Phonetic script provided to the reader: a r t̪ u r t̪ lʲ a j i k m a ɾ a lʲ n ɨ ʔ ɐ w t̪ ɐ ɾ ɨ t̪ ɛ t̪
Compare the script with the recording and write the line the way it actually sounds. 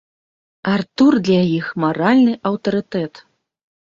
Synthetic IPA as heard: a r t̪ u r d̪ lʲ a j i x m a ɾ a lʲ n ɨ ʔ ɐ w t̪ ɐ ɾ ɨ t̪ ɛ t̪

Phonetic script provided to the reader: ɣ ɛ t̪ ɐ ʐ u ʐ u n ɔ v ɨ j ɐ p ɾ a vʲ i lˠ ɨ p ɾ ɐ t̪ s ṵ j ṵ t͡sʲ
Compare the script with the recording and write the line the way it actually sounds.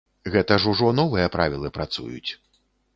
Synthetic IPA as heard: ɣ ɛ t̪ ɐ ʐ u ʐ ɔ n ɔ v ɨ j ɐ p ɾ a vʲ i lˠ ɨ p ɾ a t̪ s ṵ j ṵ t͡sʲ

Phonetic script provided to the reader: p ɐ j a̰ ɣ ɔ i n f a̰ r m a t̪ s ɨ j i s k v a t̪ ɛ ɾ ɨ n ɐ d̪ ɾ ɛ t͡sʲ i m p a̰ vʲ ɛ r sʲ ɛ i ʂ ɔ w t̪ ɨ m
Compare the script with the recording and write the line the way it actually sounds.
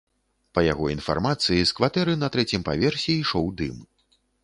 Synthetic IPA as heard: p ɐ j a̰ ɣ ɔ i n f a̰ r m a t̪ s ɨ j i s k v a t̪ ɛ ɾ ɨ n ɐ t̪ ɾ ɛ t͡sʲ i m p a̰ vʲ ɛ r sʲ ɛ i ʂ ɔ w d̪ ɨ m

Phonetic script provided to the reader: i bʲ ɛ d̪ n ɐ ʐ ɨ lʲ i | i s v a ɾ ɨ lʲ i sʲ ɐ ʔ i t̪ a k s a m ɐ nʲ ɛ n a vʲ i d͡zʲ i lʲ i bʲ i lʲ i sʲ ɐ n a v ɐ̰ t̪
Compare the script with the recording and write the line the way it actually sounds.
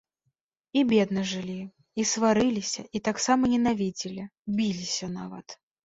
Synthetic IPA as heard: i bʲ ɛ d̪ n ɐ ʐ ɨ lʲ i | i s v a ɾ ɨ lʲ i sʲ ɐ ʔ i t̪ a k s a m ɐ nʲ ɛ n a vʲ i d͡zʲ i lʲ i bʲ i lʲ i sʲ ɐ n a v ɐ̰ t̪

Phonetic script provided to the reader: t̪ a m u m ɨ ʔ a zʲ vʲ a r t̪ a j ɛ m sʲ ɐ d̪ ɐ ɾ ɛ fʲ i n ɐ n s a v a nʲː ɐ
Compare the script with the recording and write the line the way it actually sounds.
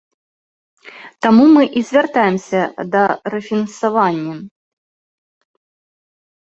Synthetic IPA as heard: t̪ a m u m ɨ ʔ i zʲ vʲ a r t̪ a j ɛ m sʲ ɐ d̪ ɐ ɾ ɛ fʲ i n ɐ n s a v a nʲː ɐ

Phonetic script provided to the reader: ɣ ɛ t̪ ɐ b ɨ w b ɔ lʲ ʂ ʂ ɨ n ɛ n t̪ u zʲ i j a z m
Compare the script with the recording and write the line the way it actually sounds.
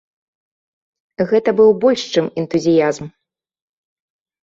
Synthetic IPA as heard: ɣ ɛ t̪ ɐ b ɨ w b ɔ lʲ ʂ t͡ʂ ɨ m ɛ n t̪ u zʲ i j a z m

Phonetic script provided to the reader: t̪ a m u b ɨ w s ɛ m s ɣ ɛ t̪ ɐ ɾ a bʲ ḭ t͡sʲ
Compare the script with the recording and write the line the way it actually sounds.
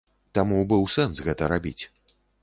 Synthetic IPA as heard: t̪ a m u b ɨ w s ɛ n s ɣ ɛ t̪ ɐ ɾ a bʲ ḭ t͡sʲ

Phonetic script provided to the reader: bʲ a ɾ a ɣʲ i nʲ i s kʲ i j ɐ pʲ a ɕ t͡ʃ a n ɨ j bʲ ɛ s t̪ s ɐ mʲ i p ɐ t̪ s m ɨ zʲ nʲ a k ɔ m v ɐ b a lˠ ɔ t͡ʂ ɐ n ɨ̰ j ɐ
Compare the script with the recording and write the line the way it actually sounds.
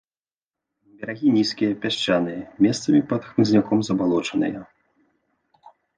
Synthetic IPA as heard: bʲ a ɾ a ɣʲ i nʲ i s kʲ i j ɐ pʲ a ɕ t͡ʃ a n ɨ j mʲ ɛ s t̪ s ɐ mʲ i p ɐ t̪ x m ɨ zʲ nʲ a k ɔ m z ɐ b a lˠ ɔ t͡ʂ ɐ n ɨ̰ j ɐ

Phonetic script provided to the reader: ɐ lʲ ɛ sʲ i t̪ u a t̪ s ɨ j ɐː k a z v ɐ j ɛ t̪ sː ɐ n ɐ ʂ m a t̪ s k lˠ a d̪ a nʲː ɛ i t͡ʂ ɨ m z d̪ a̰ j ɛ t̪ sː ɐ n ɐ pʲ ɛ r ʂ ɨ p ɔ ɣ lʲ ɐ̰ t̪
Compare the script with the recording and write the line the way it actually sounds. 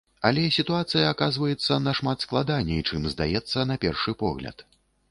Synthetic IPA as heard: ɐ lʲ ɛ sʲ i t̪ u a t̪ s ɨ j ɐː k a z v ɐ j ɛ t̪ sː ɐ n ɐ ʂ m a t̪ s k lˠ a d̪ a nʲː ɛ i t͡ʂ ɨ m z d̪ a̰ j ɛ t̪ sː ɐ n ɐ pʲ ɛ r ʂ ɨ p ɔ ɣ lʲ ɐ̰ t̪

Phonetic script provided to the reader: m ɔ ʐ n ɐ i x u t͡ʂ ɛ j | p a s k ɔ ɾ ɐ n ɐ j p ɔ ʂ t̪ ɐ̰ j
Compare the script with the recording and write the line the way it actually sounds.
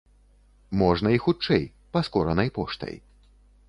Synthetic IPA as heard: m ɔ ʐ n ɐ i x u t͡ʂ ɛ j | p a s k ɔ ɾ ɐ n ɐ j p ɔ ʂ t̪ ɐ̰ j

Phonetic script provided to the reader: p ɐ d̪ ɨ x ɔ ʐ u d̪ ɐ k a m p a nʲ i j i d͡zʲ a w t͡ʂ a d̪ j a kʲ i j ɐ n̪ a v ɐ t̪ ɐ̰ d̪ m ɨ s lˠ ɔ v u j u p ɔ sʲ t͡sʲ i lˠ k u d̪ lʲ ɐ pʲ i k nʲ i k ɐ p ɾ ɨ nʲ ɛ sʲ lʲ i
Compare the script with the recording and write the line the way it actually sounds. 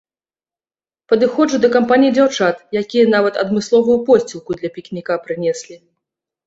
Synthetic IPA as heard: p ɐ d̪ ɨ x ɔ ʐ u d̪ ɐ k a m p a nʲ i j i d͡zʲ a w t͡ʂ a t̪ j a kʲ i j ɐ n̪ a v ɐ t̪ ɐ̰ d̪ m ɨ s lˠ ɔ v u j u p ɔ sʲ t͡sʲ i lˠ k u d̪ lʲ ɐ pʲ i k nʲ i k a p ɾ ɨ nʲ ɛ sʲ lʲ i

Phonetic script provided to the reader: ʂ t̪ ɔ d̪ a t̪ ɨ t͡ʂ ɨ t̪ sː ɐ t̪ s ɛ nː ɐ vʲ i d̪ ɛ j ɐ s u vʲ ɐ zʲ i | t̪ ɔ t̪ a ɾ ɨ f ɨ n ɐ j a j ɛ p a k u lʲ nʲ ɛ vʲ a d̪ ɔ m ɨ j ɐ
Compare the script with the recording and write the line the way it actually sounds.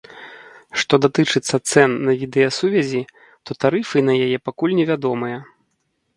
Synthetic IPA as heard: ʂ t̪ ɔ d̪ a t̪ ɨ t͡ʂ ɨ t̪ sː ɐ t̪ s ɛ nː ɐ vʲ i d̪ ɛ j ɐ s u vʲ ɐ zʲ i | t̪ ɔ t̪ a ɾ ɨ f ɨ n ɐ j a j ɛ p a k u lʲ nʲ ɛ vʲ a d̪ ɔ m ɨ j ɐ

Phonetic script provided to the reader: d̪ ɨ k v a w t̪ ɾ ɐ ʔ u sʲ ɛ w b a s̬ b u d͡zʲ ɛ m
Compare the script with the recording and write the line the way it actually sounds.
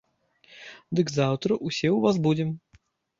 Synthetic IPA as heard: d̪ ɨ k z a w t̪ ɾ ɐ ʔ u sʲ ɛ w v a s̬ b u d͡zʲ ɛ m

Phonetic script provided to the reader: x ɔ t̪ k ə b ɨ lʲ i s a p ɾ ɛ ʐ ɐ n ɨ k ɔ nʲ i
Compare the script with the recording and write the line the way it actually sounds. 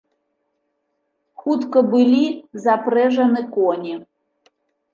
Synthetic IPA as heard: x u t̪ k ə b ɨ lʲ i z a p ɾ ɛ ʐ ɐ n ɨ k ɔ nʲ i

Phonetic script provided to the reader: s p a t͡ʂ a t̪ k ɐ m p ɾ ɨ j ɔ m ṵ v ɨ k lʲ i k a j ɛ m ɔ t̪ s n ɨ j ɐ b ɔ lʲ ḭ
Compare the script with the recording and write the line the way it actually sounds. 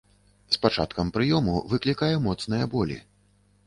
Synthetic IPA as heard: s p a t͡ʂ a t̪ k ɐ m p ɾ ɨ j ɔ m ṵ v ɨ k lʲ i k a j ɛ m ɔ t̪ s n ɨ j ɐ b ɔ lʲ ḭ

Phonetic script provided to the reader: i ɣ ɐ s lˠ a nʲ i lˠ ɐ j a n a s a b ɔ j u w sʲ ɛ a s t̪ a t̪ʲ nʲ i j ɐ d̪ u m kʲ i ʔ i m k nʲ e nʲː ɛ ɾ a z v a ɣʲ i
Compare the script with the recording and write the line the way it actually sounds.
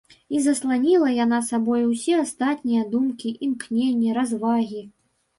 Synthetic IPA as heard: i z ɐ s lˠ a nʲ i lˠ ɐ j a n a s a b ɔ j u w sʲ ɛ a s t̪ a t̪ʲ nʲ i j ɐ d̪ u m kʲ i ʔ i m k nʲ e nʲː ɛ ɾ a z v a ɣʲ i

